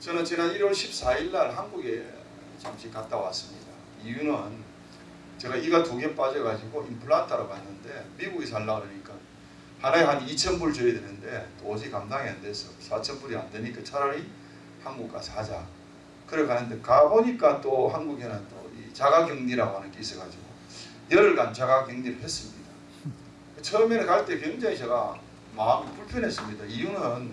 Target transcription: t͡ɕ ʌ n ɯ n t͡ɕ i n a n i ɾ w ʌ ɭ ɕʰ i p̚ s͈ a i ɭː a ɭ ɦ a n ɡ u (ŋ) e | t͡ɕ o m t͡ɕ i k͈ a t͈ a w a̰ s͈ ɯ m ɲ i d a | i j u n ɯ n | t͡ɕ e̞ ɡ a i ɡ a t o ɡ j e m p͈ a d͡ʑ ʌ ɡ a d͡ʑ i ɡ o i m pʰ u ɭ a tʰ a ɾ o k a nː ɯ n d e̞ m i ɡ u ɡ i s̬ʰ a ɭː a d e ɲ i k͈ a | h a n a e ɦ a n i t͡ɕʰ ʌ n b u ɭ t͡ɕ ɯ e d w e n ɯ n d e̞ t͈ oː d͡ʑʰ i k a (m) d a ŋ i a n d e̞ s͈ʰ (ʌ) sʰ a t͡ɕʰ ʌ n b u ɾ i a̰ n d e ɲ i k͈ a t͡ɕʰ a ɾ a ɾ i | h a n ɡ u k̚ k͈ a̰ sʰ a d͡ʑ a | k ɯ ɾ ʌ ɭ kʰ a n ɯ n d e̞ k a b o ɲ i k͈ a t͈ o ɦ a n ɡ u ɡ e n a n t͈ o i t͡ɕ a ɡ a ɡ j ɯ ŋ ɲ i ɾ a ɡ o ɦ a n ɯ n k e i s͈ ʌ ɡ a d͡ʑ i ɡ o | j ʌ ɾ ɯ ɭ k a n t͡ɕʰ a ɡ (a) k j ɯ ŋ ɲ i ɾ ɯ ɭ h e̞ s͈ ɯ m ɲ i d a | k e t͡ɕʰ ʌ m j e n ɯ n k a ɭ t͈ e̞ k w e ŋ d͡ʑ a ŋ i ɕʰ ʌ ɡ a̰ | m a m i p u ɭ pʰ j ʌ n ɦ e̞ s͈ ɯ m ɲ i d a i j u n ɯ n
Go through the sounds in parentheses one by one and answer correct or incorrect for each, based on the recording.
incorrect, correct, correct, correct

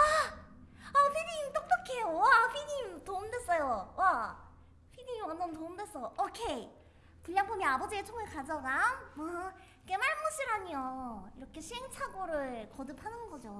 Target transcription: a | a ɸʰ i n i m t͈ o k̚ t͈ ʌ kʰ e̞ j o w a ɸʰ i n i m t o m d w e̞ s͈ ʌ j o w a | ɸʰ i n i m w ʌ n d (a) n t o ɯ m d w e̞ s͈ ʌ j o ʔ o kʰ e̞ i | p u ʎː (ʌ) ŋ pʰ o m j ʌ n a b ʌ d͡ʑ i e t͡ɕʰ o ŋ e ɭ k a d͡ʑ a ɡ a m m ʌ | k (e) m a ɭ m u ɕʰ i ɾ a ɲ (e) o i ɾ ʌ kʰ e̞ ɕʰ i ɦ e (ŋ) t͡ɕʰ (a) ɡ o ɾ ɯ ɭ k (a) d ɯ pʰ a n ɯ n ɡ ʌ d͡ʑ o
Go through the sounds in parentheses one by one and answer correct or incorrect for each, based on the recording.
incorrect, incorrect, correct, incorrect, correct, correct, incorrect

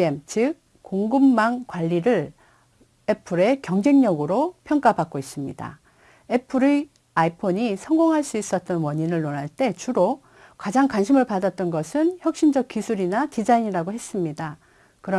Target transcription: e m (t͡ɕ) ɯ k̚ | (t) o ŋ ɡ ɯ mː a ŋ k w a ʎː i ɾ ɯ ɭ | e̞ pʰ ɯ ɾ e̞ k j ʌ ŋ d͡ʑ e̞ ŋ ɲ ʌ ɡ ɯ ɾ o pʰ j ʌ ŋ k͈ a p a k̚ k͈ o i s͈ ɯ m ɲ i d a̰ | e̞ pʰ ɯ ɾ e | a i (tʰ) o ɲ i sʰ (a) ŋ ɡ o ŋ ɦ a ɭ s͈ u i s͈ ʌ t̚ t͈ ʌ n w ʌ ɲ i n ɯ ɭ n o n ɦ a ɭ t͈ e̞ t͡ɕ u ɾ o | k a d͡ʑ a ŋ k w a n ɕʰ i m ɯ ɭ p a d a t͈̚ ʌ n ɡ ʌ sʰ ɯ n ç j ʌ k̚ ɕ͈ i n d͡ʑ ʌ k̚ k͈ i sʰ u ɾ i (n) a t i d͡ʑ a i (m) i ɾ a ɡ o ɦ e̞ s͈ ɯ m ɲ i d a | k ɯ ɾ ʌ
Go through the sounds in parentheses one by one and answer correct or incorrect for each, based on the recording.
correct, incorrect, incorrect, incorrect, correct, incorrect

